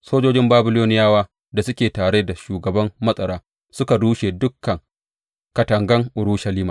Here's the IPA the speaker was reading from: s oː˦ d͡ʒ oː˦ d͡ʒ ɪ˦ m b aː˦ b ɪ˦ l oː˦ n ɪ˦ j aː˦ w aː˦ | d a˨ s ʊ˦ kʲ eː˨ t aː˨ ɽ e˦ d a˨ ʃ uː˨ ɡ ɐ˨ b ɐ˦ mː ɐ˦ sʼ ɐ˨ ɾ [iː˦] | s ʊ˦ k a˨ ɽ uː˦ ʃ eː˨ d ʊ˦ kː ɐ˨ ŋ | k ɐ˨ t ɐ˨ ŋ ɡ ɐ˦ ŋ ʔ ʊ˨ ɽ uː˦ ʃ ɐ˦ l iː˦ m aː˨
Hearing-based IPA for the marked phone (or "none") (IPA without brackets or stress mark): aː˦